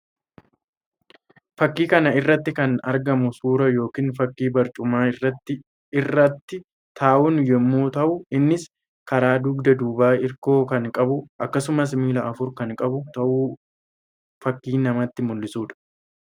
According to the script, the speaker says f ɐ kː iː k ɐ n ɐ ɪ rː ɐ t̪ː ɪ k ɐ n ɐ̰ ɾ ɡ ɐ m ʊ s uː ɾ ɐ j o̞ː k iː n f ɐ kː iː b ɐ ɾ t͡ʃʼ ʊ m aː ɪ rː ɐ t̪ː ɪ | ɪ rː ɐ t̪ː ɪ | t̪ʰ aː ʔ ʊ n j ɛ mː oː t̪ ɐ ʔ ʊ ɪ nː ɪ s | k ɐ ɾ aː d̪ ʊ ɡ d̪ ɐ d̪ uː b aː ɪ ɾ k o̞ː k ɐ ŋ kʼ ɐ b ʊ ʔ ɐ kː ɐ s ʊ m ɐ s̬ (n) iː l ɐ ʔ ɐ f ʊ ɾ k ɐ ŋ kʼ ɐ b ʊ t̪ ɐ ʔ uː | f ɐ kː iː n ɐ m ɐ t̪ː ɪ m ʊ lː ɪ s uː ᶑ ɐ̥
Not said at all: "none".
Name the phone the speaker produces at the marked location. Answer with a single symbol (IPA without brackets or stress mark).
m